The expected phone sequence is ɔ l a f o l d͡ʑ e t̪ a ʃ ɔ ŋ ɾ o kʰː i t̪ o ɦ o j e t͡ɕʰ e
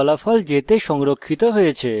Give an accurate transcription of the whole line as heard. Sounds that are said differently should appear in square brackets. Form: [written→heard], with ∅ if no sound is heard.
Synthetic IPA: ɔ l a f [o→ɔ] l d͡ʑ e t̪ [a→e] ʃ ɔ ŋ ɾ o kʰː i t̪ o ɦ o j e t͡ɕʰ e